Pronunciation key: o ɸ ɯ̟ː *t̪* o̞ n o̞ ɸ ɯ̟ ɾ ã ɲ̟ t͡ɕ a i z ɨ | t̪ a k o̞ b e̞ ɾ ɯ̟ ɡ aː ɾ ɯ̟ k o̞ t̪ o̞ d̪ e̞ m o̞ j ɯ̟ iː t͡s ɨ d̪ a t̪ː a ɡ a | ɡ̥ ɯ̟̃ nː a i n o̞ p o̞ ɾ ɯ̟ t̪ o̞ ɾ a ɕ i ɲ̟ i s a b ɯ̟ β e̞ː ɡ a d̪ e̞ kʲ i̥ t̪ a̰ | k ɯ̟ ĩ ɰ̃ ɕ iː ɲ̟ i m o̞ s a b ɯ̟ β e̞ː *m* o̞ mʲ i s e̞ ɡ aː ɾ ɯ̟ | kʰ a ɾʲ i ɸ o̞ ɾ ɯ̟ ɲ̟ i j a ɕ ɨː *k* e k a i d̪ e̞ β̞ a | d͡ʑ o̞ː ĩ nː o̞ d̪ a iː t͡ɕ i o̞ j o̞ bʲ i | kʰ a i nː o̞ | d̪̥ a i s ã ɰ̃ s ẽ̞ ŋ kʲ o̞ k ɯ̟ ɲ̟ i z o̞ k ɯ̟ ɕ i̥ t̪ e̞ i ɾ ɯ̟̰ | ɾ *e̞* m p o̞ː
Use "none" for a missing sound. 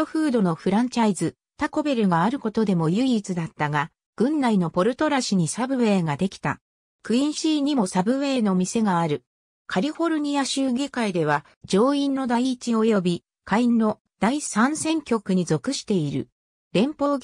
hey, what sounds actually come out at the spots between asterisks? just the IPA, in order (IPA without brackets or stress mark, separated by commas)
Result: d̪, n, ɡ, ẽ̞